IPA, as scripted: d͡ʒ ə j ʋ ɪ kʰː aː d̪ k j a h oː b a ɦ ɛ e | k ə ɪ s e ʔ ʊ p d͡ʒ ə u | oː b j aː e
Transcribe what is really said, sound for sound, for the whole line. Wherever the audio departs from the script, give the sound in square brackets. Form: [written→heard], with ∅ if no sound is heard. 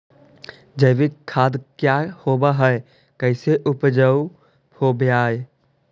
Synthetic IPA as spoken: d͡ʒ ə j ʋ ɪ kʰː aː d̪ k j a h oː b a ɦ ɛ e | k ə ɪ s e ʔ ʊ p d͡ʒ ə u | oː b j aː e